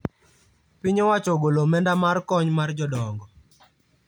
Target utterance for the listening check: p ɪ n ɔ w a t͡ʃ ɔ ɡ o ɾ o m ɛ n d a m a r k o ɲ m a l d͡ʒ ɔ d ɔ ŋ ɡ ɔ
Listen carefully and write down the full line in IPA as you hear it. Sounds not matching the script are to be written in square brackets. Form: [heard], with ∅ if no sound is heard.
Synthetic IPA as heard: p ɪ [ɲ] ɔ w a t͡ʃ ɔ ɡ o [l] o m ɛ n d a m a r k [ɔ] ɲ m a [r] d͡ʒ ɔ d ɔ ŋ ɡ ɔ